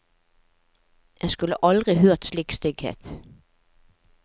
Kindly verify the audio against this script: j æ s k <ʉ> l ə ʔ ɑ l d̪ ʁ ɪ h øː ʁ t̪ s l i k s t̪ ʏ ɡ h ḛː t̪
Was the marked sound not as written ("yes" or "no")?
no